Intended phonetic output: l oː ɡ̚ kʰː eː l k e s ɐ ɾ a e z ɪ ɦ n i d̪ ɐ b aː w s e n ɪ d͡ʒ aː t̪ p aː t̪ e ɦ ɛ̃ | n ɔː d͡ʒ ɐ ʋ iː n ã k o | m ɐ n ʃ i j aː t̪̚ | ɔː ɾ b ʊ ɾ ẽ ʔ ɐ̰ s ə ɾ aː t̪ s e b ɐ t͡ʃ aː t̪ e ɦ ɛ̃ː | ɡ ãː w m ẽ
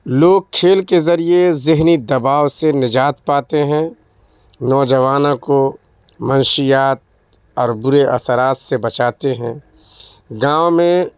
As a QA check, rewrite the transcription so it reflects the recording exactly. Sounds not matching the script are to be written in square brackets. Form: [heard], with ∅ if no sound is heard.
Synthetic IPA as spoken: l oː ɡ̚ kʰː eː l k e [z] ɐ ɾ [i] e z ɪ ɦ n i d̪ ɐ b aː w s e n ɪ d͡ʒ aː t̪ p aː t̪ e ɦ ɛ̃ | n ɔː d͡ʒ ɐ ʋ [aː] n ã k o | m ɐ n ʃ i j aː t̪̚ | ɔː ɾ b ʊ ɾ [e] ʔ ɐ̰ s ə ɾ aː t̪ s e b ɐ t͡ʃ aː t̪ e ɦ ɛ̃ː | ɡ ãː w m ẽ